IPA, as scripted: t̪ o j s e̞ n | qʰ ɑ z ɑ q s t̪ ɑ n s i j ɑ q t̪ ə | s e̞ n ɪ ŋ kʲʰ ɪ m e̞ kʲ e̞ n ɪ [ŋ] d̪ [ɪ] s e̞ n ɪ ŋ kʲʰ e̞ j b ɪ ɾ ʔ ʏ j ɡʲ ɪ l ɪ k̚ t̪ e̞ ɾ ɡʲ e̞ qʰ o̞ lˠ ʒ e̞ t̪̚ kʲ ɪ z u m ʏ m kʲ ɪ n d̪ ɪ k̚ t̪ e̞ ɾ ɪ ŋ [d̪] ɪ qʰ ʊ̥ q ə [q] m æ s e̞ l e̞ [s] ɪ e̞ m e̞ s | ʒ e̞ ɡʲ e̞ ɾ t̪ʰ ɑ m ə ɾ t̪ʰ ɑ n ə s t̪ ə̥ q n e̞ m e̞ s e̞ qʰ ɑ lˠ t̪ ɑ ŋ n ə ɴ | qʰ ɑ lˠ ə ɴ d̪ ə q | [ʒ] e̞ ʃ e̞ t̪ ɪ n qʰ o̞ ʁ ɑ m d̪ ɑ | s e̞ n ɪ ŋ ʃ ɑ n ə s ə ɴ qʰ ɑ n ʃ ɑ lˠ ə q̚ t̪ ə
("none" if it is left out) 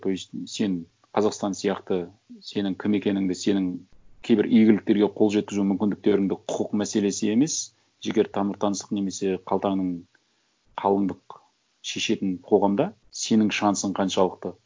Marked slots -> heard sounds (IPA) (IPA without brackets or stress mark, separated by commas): ŋ, ɪ, d̪, q, s, ʃ